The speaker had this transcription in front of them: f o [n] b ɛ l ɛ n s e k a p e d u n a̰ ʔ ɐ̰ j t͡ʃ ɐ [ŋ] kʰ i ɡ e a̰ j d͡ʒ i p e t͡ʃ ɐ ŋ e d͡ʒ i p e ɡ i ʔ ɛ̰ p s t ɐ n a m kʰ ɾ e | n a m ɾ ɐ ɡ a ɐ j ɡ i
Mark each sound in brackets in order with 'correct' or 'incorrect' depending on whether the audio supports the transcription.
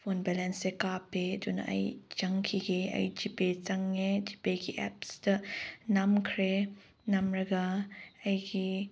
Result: correct, correct

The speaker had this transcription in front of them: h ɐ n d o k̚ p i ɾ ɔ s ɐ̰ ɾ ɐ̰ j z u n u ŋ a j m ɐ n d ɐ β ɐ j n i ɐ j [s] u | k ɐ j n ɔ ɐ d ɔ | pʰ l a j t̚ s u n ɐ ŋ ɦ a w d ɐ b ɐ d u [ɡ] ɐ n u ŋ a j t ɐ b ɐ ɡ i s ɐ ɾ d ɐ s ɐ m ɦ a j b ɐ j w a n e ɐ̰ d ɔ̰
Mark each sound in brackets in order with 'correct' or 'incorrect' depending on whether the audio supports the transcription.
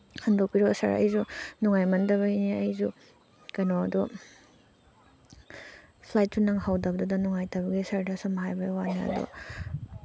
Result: incorrect, incorrect

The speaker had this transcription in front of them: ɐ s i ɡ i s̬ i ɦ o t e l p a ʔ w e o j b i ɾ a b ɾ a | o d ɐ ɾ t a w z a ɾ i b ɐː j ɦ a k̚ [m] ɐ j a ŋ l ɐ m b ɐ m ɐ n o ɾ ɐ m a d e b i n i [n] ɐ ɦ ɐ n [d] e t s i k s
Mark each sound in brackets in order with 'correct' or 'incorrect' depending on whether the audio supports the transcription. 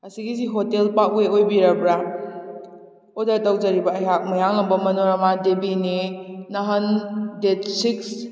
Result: correct, correct, correct

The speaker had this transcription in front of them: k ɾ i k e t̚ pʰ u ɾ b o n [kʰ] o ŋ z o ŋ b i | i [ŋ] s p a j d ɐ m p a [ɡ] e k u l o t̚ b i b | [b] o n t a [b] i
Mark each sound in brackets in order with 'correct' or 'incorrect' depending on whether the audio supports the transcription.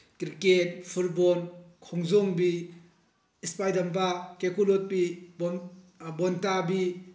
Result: correct, incorrect, incorrect, correct, correct

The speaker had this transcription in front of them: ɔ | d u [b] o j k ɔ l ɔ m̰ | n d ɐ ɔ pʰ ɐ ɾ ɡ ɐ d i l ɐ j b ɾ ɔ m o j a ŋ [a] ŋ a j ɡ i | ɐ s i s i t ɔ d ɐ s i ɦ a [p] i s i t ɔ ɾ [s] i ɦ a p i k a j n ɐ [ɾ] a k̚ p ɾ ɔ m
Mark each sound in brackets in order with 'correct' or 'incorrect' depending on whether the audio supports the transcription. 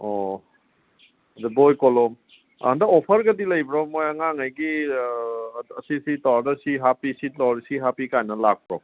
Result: correct, correct, correct, correct, incorrect

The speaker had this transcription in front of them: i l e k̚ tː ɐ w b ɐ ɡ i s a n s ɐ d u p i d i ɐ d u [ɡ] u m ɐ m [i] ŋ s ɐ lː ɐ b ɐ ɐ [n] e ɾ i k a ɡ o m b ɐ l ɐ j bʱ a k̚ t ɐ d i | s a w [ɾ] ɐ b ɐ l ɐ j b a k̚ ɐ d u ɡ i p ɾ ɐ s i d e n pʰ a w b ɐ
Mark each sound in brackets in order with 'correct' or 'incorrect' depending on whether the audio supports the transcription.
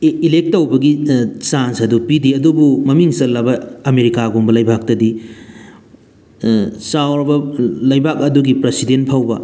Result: incorrect, correct, incorrect, correct

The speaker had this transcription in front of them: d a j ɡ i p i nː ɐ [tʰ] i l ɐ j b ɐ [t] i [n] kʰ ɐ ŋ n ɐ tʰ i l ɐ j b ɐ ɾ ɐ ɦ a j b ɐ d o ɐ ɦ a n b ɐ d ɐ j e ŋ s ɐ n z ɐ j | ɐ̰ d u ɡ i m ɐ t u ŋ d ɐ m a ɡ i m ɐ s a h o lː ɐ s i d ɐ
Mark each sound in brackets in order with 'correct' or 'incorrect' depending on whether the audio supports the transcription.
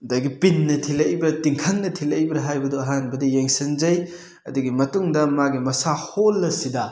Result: correct, correct, incorrect

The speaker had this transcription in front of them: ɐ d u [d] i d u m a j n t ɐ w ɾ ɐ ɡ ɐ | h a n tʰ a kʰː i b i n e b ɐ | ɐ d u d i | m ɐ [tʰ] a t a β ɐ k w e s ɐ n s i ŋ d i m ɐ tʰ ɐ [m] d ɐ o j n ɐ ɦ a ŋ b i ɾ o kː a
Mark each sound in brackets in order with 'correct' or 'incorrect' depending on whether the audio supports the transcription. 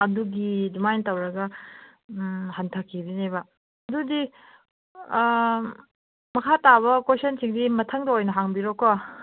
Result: incorrect, incorrect, incorrect

